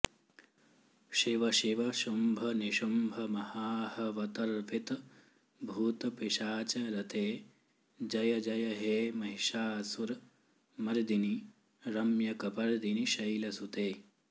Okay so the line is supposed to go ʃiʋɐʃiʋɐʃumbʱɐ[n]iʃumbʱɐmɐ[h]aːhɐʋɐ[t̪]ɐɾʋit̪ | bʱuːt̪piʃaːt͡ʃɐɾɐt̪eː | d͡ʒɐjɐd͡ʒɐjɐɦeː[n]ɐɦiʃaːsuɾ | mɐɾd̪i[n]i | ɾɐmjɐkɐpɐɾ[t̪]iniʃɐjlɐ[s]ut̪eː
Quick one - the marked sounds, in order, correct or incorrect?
correct, correct, correct, incorrect: m, correct, incorrect: d̪, correct

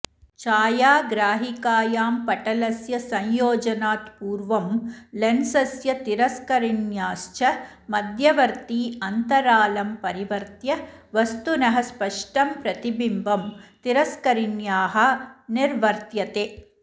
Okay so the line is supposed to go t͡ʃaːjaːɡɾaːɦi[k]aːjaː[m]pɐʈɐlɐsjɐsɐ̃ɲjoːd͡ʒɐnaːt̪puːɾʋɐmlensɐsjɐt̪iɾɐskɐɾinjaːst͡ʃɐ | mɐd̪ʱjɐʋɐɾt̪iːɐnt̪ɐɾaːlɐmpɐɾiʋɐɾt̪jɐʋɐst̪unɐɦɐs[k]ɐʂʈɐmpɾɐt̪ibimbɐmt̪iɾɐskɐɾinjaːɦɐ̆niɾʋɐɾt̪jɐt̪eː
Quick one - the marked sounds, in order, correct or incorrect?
correct, correct, incorrect: p

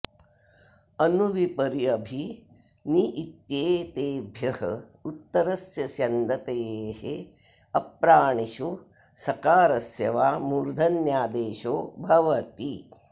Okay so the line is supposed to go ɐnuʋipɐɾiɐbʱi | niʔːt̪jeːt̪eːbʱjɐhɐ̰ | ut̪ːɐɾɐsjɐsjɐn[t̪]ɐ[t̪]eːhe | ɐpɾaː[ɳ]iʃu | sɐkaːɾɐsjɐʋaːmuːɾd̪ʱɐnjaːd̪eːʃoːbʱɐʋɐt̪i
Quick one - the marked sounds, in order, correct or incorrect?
incorrect: d̪, correct, correct

